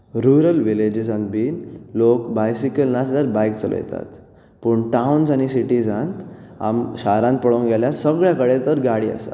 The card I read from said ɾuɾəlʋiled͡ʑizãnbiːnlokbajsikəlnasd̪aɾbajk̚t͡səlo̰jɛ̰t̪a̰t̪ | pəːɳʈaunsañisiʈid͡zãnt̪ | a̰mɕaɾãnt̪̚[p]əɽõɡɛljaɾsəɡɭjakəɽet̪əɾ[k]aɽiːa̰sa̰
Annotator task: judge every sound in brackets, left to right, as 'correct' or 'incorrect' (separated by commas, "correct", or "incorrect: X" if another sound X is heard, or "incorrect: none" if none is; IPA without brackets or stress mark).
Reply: correct, incorrect: ɡ